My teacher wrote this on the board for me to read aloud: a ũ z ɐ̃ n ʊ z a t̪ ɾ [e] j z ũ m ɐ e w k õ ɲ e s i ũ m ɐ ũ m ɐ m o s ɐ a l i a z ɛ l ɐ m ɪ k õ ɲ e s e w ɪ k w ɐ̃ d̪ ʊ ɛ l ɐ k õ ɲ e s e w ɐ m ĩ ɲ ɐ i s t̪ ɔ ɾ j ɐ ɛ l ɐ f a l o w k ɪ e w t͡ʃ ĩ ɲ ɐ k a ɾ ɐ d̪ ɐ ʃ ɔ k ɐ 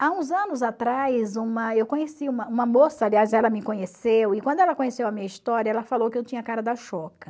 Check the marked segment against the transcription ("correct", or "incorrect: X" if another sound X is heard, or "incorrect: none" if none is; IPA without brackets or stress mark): incorrect: a